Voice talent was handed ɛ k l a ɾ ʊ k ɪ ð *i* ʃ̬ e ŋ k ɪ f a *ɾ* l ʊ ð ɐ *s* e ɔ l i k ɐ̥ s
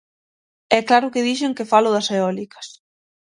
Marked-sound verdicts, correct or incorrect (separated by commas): correct, incorrect, correct